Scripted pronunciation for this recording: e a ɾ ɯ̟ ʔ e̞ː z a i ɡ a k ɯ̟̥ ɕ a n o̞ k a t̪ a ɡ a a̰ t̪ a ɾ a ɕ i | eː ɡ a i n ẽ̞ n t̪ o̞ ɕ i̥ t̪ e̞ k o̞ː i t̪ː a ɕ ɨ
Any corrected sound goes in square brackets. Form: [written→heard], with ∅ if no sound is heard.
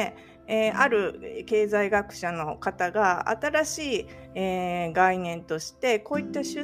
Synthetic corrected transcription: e a ɾ ɯ̟ [ʔ→k] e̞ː z a i ɡ a k ɯ̟̥ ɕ a n o̞ k a t̪ a ɡ a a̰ t̪ a ɾ a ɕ [i→iː] | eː ɡ a i n ẽ̞ n t̪ o̞ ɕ i̥ t̪ e̞ k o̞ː i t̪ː a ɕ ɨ